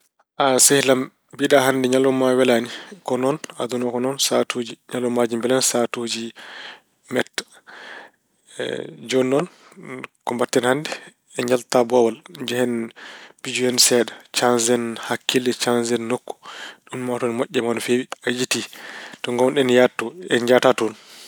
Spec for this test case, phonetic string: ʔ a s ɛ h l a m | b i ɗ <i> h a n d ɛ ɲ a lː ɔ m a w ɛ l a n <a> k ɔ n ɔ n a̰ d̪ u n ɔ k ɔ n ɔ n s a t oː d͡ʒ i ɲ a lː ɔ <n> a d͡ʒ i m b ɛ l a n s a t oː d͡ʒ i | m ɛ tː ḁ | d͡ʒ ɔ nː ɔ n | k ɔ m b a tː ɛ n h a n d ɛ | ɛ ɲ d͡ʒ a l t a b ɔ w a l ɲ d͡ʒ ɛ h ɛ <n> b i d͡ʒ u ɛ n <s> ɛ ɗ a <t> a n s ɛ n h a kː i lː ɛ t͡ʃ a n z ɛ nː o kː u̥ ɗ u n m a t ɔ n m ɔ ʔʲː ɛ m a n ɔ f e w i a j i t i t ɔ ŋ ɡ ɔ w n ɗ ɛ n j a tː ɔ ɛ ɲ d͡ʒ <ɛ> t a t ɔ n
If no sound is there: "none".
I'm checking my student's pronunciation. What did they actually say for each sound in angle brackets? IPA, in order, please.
a, i, m, n, s, t͡ʃ, a

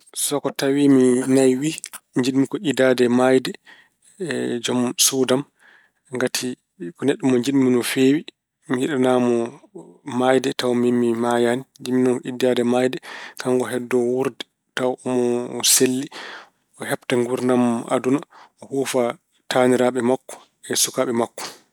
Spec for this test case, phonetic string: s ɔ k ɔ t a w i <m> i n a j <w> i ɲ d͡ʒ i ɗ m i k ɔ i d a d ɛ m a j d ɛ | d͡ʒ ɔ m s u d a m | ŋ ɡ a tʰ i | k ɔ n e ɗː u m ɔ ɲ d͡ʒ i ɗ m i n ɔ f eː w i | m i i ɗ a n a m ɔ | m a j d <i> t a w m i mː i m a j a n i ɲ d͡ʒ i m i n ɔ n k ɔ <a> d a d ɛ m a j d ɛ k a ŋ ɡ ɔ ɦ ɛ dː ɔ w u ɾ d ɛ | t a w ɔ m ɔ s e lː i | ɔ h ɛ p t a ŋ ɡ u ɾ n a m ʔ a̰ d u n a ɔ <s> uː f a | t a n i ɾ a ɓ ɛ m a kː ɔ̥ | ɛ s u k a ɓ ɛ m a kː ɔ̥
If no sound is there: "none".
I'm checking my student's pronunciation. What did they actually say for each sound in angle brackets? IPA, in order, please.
m, w, ɛ, i, h

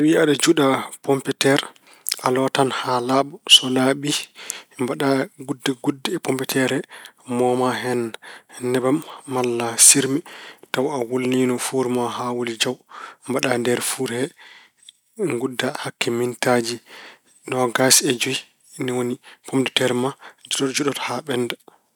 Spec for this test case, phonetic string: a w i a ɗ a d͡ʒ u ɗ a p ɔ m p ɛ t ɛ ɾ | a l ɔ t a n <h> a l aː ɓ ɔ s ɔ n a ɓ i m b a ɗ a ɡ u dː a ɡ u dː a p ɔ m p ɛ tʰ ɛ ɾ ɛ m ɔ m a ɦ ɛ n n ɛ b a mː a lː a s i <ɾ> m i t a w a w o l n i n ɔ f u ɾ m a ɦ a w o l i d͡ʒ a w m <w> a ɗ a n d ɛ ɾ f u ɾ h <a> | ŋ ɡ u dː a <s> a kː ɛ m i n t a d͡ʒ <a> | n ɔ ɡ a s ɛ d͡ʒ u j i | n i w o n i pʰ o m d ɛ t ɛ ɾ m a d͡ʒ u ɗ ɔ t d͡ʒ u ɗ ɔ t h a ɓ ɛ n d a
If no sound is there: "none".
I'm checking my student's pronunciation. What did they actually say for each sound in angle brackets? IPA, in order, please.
h, ɾ, b, ɛ, h, i

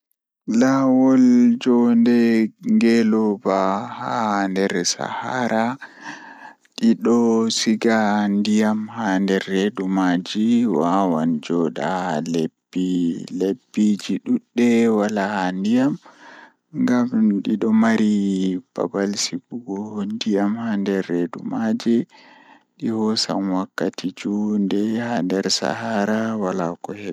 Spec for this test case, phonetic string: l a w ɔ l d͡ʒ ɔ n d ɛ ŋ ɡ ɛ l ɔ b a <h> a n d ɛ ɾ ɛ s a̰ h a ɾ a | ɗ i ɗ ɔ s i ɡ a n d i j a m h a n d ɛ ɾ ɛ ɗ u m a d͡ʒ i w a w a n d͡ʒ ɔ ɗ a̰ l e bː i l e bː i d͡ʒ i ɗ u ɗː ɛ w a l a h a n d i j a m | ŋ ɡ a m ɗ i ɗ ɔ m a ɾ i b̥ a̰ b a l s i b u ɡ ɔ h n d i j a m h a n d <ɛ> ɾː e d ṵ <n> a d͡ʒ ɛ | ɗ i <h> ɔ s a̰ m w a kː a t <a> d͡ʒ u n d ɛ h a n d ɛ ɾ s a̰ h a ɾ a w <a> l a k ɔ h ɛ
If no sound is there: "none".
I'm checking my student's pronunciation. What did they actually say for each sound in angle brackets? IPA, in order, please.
h, ɛ, m, h, i, a

